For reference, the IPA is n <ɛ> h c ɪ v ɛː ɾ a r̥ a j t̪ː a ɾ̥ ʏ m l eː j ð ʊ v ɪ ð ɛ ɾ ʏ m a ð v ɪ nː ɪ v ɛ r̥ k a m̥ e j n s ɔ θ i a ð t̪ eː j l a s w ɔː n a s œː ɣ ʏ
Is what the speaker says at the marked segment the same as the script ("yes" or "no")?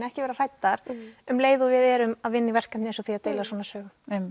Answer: yes